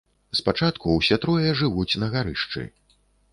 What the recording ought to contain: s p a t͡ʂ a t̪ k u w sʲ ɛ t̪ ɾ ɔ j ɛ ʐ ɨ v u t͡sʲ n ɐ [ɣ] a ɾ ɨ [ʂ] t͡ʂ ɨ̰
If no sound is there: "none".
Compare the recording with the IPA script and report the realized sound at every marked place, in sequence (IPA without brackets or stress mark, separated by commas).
ɣ, ʂ